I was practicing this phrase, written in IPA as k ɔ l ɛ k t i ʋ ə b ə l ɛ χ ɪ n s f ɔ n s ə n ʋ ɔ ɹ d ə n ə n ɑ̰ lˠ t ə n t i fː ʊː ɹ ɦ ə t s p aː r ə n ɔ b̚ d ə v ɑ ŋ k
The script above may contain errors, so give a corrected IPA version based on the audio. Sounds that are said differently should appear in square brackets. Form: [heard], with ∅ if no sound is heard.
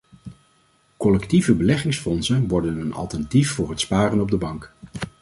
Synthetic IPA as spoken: k ɔ l ɛ k t i [v] ə b ə l ɛ χ ɪ [ŋ] s f ɔ n s ə n ʋ ɔ ɹ d ə n ə n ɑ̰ lˠ t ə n t i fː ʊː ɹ ɦ ə t s p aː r ə n ɔ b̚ d ə [b] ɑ ŋ k